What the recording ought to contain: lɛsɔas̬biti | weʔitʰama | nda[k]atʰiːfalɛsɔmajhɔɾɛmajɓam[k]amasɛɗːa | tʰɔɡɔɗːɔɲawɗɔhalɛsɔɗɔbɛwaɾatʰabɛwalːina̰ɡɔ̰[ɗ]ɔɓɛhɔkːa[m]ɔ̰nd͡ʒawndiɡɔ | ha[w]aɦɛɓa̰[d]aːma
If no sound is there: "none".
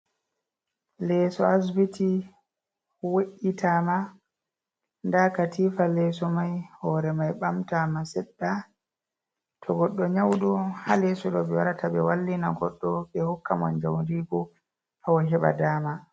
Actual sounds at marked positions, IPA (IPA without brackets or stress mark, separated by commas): k, t, ɗː, m, w, d